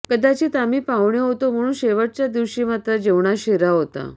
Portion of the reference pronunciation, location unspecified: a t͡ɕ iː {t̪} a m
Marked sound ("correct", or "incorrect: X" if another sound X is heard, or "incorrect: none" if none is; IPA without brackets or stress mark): correct